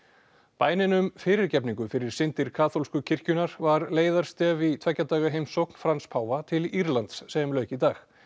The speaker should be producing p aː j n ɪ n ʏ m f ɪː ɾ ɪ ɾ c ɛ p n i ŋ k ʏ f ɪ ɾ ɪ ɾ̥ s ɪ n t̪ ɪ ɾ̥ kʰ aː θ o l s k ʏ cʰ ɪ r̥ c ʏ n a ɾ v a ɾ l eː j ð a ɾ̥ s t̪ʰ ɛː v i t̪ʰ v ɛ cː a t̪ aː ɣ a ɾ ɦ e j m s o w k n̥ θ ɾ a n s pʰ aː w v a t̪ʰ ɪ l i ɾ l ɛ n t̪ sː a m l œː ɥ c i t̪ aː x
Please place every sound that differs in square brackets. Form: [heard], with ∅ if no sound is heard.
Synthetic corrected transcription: p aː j n ɪ n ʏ m f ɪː ɾ ɪ ɾ c ɛ p n i ŋ k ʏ f ɪ ɾ ɪ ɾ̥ s ɪ n t̪ ɪ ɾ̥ kʰ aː θ o l s k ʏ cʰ ɪ r̥ c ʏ n a ɾ v a ɾ l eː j ð a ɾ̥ s [t̪] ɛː v i t̪ʰ v ɛ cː a t̪ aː ɣ a [∅] ɦ e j m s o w k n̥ [f] ɾ a n s pʰ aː w v a t̪ʰ ɪ l i ɾ l [a] n t̪ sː [ɛ] m l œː ɥ c i t̪ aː x

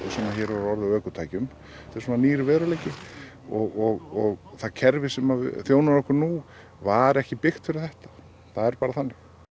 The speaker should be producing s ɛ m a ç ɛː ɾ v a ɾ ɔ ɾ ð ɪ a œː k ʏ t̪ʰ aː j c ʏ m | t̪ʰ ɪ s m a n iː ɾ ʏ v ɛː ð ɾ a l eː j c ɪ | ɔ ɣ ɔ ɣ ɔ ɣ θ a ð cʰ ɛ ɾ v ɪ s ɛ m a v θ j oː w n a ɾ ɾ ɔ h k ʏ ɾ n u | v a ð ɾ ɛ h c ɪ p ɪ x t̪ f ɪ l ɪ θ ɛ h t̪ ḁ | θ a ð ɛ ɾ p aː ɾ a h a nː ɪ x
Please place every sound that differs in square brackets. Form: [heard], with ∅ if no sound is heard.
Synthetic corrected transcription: s ɛ m a ç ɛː ɾ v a ɾ ɔ ɾ ð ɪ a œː k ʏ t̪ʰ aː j c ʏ m | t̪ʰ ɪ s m a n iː ɾ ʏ v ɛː ð ɾ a l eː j c ɪ | ɔ ɣ ɔ ɣ ɔ ɣ θ a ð cʰ ɛ ɾ v ɪ s ɛ m a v θ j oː w n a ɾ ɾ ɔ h k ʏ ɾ n u | v a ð ɾ ɛ h c ɪ p ɪ x t̪ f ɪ [ɾ] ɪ θ ɛ h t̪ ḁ | θ a ð ɛ ɾ p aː ɾ a [θ] a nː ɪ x

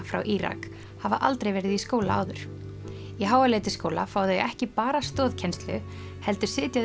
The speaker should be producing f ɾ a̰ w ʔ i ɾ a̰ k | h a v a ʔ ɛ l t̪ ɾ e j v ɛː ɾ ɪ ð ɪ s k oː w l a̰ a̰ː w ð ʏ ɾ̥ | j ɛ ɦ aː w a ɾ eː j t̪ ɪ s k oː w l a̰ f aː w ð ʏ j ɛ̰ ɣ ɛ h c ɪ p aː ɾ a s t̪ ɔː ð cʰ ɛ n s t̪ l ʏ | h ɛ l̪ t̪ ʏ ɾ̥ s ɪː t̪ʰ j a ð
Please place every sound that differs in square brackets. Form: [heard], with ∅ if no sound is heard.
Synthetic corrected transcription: f ɾ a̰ w ʔ i ɾ a̰ k | h a v a ʔ [a] l t̪ ɾ e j v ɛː ɾ ɪ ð [i] s k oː w l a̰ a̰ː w ð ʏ ɾ̥ | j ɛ ɦ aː w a [l] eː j t̪ ɪ s k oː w l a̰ f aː w ð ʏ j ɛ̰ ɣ ɛ h c ɪ p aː ɾ a s t̪ ɔː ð cʰ ɛ n s t̪ l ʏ | h ɛ l̪ t̪ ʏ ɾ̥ s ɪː [t̪] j a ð

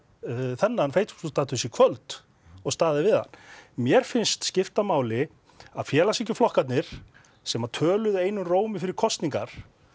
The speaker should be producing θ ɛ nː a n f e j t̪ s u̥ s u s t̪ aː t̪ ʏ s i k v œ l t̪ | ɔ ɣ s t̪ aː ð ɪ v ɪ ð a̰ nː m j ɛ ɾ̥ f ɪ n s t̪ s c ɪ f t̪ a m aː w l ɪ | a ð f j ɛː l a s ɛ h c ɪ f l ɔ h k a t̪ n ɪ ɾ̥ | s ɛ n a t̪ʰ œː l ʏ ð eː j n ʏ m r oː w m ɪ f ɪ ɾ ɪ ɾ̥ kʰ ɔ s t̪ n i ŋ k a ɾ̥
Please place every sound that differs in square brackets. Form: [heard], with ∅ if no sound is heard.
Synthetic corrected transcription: θ ɛ nː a n f e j t̪ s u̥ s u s t̪ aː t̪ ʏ s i [kʰ] v œ l t̪ | ɔ ɣ s t̪ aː ð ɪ v ɪ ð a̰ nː m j ɛ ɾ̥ f ɪ n s t̪ s c ɪ f t̪ a m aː w l ɪ | a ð f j ɛː l a s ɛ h c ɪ f l ɔ h k a t̪ n ɪ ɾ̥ | s ɛ [m] a t̪ʰ œː l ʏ ð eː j n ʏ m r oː w m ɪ f ɪ ɾ ɪ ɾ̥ kʰ ɔ s t̪ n i ŋ k a ɾ̥

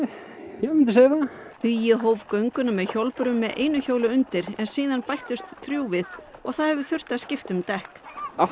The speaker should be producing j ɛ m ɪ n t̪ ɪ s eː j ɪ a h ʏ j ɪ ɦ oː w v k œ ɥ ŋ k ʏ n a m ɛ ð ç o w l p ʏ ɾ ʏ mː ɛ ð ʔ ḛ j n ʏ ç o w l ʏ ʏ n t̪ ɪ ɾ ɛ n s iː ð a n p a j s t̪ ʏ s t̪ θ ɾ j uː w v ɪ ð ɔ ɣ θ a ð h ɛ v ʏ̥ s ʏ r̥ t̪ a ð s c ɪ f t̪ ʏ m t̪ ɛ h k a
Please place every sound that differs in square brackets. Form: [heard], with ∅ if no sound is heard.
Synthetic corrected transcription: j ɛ m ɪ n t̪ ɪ s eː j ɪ a h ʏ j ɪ ɦ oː w v k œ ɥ ŋ k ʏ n a m ɛ ð ç o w l p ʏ ɾ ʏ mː ɛ ð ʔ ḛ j n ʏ ç o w l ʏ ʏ n t̪ ɪ ɾ ɛ n s iː ð a n p a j [h] t̪ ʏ s t̪ θ ɾ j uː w v ɪ ð ɔ ɣ θ a ð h ɛ v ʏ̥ [θ] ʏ r̥ t̪ a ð s c ɪ f t̪ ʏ m t̪ ɛ h k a

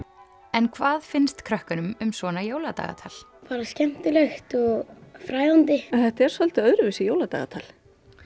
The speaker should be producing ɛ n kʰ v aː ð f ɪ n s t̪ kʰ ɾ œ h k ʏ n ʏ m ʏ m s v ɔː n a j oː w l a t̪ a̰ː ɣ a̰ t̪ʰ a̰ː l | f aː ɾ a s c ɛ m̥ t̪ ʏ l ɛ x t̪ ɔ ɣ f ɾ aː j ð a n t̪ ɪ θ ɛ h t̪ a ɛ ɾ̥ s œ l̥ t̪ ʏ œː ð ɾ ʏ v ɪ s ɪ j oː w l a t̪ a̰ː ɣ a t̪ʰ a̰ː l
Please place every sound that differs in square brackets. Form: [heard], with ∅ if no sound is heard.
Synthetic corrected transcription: ɛ n kʰ v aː ð f ɪ n s t̪ kʰ ɾ œ h k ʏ n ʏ m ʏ m s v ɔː n a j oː w l a t̪ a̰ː ɣ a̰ t̪ʰ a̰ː l | f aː ɾ a s c ɛ m̥ t̪ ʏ l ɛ x t̪ ɔ ɣ f ɾ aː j ð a n t̪ ɪ θ ɛ h t̪ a ɛ ɾ̥ s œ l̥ t̪ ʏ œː ð ɾ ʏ v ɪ s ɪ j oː w l a t̪ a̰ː ɣ a t̪ʰ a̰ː l

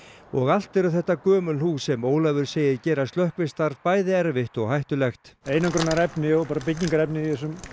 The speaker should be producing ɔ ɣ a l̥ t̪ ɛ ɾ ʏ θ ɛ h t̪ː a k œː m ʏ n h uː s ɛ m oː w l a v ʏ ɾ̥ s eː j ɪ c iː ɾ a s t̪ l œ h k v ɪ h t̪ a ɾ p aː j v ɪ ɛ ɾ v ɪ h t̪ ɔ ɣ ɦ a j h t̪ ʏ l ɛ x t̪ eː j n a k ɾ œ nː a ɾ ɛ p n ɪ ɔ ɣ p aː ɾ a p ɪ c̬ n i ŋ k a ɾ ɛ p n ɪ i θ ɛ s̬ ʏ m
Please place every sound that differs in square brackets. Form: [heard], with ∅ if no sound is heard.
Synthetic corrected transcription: ɔ ɣ a l̥ t̪ ɛ ɾ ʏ θ ɛ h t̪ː a k œː m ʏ n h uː s ɛ m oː w l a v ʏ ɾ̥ s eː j ɪ c [ɛː] ɾ a s t̪ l œ h k v ɪ [s] t̪ a ɾ p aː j [ð] ɪ ɛ ɾ v ɪ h t̪ ɔ ɣ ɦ a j h t̪ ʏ l ɛ x t̪ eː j n a k ɾ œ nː a ɾ ɛ p n ɪ ɔ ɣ p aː ɾ a p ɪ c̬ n i ŋ k a ɾ ɛ p n ɪ i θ ɛ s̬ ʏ m

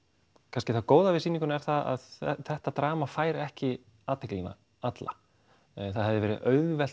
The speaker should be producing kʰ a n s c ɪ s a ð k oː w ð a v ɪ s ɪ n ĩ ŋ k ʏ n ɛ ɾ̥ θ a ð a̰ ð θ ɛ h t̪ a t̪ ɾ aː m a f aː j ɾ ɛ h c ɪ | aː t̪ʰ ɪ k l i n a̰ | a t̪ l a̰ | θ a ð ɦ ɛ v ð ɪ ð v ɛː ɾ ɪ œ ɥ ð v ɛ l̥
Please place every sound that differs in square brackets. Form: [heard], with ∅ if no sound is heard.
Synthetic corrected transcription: kʰ a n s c ɪ [θ] a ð k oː w ð a v ɪ s [i] n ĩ ŋ k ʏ n ɛ ɾ̥ θ a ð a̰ ð θ ɛ h t̪ a t̪ ɾ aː m a f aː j ɾ ɛ h c ɪ | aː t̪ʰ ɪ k l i n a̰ | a t̪ l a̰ | θ a ð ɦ ɛ v ð ɪ [∅] v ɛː ɾ ɪ œ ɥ ð v ɛ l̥

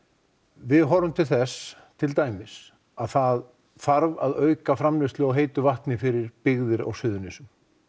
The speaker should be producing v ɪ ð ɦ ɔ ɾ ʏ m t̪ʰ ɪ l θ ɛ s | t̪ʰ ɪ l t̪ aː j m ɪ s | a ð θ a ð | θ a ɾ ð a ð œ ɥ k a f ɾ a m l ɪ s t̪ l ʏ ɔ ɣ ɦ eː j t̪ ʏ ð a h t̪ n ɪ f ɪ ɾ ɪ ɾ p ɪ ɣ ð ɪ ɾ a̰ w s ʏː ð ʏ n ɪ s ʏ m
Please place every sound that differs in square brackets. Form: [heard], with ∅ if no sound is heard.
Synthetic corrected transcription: v ɪ ð ɦ ɔ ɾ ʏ m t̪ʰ ɪ l θ ɛ s | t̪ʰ ɪ l t̪ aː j m ɪ s | a ð θ a ð | [f] a ɾ [v] a ð œ ɥ k a f ɾ a m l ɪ s t̪ l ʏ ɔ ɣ ɦ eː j t̪ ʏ [v] a h t̪ n ɪ f ɪ ɾ ɪ ɾ p ɪ ɣ ð ɪ ɾ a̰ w s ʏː ð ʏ n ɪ s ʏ m

